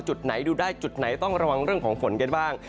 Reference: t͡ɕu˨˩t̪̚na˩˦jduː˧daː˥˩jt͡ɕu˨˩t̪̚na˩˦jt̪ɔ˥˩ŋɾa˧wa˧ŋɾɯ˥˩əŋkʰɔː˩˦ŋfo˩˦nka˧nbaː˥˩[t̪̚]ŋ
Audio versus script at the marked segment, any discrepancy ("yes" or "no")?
yes